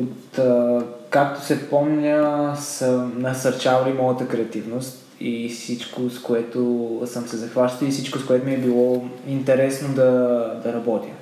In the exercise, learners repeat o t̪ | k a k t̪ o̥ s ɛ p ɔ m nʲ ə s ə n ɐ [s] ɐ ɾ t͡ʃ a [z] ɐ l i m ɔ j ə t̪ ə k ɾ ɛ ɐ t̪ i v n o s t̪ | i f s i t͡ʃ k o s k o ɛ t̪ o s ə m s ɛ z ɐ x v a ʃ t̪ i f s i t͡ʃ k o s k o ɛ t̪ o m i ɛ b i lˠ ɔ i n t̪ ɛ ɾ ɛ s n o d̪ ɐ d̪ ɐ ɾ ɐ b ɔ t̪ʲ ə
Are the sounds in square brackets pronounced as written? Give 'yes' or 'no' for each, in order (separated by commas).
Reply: yes, no